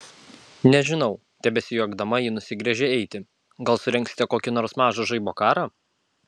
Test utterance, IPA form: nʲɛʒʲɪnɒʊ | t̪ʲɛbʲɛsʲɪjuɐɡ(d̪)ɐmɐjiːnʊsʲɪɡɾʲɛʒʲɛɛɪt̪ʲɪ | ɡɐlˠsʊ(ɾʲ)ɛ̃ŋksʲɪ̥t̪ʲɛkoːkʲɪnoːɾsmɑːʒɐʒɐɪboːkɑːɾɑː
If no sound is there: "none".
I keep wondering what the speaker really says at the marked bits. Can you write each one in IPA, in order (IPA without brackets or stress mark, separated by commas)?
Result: d̪, ɾʲ